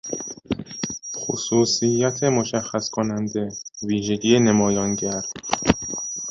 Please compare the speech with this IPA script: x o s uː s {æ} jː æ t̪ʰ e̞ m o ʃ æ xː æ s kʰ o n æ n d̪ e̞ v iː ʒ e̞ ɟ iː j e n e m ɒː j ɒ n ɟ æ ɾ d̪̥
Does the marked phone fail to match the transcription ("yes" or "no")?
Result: yes